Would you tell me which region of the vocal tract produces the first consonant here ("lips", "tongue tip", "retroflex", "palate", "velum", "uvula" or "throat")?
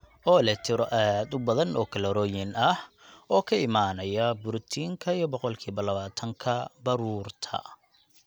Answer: tongue tip